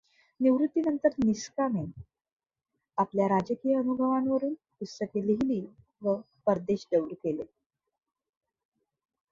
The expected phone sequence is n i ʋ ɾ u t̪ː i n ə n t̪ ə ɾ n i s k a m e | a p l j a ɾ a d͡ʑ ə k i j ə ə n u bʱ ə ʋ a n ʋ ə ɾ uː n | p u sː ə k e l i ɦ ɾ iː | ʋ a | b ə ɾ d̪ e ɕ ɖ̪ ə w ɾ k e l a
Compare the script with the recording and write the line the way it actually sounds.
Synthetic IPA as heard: n i ʋ ɾ u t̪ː i n ə n t̪ ə ɾ n i s k a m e | a p l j a ɾ a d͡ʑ ə k i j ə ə n u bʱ ə ʋ a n ʋ ə ɾ uː n | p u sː ə k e l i ɦ l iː | ʋ ə | p ə ɾ d̪ e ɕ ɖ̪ ə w ɾ k e l e